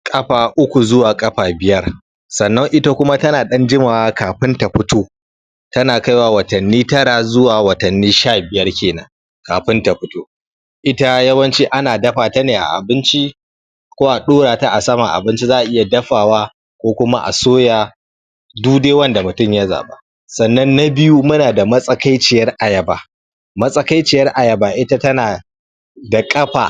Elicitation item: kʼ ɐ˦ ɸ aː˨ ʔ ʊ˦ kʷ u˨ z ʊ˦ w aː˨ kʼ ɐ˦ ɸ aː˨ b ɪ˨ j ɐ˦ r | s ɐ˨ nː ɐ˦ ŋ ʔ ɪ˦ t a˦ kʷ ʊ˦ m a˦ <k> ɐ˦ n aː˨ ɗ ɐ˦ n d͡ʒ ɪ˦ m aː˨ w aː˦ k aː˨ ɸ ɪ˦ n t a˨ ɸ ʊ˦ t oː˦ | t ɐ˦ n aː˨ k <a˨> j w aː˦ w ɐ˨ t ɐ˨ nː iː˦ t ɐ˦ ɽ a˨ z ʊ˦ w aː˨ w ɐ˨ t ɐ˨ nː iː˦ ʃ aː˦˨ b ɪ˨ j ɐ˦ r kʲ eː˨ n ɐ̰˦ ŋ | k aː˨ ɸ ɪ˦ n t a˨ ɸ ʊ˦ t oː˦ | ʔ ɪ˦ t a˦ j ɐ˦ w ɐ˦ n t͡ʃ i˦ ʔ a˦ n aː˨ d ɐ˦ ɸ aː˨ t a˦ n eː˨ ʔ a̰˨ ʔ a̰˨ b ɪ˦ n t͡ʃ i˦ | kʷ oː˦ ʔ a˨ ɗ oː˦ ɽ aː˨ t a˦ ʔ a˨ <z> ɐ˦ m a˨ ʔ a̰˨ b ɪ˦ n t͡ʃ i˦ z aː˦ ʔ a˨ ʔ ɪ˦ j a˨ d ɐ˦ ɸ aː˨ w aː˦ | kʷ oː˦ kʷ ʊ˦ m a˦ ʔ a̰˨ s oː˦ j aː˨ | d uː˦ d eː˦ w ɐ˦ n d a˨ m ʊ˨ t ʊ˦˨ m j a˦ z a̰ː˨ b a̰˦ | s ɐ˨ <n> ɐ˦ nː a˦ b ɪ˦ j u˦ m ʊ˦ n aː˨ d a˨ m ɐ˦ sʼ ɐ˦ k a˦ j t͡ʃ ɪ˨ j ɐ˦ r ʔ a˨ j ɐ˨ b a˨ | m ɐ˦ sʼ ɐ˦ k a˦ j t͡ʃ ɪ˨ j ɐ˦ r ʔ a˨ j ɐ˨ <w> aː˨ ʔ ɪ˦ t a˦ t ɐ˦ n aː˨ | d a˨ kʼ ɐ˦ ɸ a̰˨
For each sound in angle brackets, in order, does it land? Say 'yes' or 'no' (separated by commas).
no, no, no, no, no